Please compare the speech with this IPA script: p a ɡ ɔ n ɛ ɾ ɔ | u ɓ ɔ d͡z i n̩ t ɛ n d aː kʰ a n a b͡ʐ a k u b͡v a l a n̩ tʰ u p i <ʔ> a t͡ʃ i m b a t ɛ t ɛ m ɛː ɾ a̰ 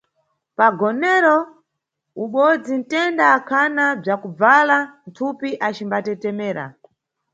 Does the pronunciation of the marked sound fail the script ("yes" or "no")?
no